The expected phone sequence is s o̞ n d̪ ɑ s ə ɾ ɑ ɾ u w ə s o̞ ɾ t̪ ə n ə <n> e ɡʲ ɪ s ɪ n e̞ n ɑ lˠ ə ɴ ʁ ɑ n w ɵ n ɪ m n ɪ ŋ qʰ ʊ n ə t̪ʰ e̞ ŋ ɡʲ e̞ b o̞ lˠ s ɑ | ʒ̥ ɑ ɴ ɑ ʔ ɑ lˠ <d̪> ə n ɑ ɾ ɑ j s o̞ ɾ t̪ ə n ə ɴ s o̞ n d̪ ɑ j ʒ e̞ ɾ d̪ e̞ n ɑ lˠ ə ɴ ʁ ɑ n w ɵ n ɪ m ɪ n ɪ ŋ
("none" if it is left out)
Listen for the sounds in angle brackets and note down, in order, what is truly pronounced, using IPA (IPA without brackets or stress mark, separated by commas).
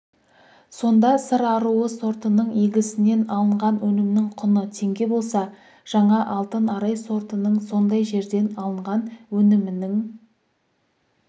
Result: ɴ, t̪